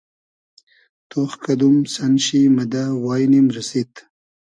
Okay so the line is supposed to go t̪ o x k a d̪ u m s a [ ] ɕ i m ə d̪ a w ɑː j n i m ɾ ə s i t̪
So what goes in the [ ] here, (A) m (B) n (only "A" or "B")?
B